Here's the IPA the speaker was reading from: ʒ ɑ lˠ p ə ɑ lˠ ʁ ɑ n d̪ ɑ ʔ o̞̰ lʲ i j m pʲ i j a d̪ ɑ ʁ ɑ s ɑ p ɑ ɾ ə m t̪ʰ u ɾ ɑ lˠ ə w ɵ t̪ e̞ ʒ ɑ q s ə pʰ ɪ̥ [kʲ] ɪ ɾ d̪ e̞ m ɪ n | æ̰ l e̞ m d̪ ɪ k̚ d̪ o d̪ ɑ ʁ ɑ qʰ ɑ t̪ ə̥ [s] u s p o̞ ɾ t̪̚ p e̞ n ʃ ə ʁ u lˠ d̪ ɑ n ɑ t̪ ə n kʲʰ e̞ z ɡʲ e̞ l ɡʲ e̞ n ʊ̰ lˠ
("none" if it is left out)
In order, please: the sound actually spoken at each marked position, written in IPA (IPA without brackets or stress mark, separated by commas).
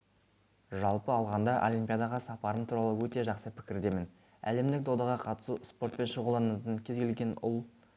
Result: kʲ, s